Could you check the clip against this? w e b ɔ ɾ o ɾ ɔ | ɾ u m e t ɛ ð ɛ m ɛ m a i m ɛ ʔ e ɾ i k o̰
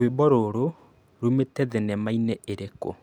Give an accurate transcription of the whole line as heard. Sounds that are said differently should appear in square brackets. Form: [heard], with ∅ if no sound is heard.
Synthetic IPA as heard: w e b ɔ ɾ o ɾ [o] | ɾ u m e t ɛ ð ɛ [n] ɛ m a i [n] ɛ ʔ e ɾ [e] k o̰